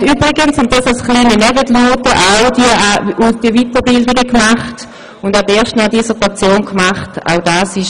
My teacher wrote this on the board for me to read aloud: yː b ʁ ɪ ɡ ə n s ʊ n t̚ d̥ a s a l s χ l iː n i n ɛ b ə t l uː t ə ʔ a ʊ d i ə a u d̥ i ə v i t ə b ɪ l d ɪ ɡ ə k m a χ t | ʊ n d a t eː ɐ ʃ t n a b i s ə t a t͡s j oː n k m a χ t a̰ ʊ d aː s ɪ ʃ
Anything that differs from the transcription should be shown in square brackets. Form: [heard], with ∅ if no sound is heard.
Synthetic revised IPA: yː b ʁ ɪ ɡ ə n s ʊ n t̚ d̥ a s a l s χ l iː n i n ɛ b ə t l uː t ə ʔ a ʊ d i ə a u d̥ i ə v i t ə b ɪ l d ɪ ɡ ə k m a χ t | ʊ n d a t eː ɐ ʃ t n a [d] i s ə t a t͡s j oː n k m a χ t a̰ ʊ d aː s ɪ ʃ